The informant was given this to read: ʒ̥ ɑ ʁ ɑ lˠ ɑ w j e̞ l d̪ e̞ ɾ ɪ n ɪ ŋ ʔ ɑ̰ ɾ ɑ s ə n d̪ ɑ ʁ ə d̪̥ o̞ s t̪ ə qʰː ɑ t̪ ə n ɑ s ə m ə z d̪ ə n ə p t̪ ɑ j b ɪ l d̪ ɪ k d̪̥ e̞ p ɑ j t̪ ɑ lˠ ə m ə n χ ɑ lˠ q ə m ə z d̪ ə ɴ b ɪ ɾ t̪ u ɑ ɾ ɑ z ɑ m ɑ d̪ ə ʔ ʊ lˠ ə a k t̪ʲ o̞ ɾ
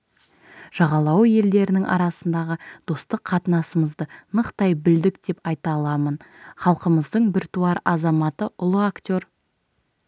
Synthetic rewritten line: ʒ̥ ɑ ʁ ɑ lˠ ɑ w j e̞ l d̪ e̞ ɾ ɪ n ɪ ŋ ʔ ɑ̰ ɾ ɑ s ə n d̪ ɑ ʁ ə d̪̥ o̞ s t̪ ə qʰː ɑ t̪ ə n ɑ s ə m ə z d̪ ə n ə q t̪ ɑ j b ɪ l d̪ ɪ k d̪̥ e̞ p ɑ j t̪ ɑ lˠ ɑ m ə n χ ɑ lˠ q ə m ə z d̪ ə ɴ b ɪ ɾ t̪ u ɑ ɾ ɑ z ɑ m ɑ t̪ ə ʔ ʊ lˠ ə a k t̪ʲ o̞ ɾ